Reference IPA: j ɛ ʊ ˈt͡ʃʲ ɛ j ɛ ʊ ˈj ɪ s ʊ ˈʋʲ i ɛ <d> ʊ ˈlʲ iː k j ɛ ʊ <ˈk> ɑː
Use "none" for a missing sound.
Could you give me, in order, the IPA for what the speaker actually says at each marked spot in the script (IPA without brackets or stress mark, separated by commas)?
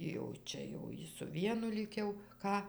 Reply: n, k